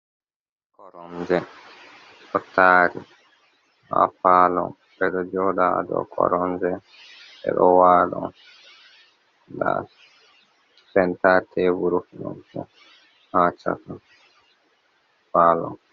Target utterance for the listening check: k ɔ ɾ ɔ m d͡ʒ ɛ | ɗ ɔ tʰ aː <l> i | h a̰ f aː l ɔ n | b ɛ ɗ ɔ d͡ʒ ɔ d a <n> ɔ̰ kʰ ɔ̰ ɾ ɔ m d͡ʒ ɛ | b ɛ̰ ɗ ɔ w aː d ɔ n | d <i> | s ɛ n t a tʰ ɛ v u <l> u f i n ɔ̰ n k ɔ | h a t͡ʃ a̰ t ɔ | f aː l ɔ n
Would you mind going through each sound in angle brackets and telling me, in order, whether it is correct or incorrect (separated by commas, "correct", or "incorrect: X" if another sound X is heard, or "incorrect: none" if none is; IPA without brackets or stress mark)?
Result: incorrect: ɾ, incorrect: d, incorrect: a, incorrect: ɾ